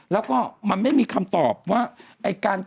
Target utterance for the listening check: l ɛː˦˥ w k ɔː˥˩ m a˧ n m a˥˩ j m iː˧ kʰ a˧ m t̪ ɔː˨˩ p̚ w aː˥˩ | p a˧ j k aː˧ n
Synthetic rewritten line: l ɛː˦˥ w k ɔː˥˩ m a˧ n m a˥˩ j m iː˧ kʰ a˧ m t̪ ɔː˨˩ p̚ w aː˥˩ | ʔ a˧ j k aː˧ n